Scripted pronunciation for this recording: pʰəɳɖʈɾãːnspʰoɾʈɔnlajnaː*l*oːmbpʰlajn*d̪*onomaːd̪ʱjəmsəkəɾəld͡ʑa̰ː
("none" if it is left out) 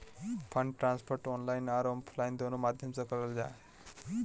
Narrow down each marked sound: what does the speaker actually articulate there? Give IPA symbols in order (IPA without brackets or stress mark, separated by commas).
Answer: ɾ, d̪